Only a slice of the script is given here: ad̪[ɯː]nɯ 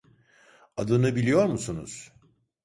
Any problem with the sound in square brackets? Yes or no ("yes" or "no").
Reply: yes